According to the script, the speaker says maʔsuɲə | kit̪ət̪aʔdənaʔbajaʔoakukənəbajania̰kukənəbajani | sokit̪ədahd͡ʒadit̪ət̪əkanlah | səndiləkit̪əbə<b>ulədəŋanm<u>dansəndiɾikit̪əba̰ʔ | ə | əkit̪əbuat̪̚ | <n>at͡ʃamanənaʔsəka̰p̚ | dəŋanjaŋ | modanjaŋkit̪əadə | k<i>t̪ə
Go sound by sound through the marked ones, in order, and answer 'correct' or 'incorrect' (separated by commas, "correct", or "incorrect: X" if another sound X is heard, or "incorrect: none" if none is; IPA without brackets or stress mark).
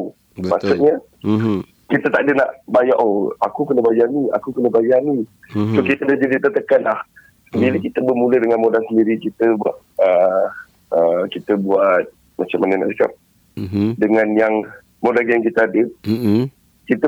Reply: incorrect: m, incorrect: o, incorrect: m, correct